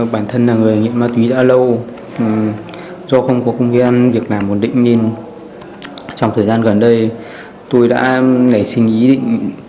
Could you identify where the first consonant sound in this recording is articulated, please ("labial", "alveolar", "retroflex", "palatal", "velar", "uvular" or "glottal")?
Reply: labial